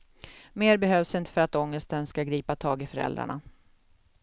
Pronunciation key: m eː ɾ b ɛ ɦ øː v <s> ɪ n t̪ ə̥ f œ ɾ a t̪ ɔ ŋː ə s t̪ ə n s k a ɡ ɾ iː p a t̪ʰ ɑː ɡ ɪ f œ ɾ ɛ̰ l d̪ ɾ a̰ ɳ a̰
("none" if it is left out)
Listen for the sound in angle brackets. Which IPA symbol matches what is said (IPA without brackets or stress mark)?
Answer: s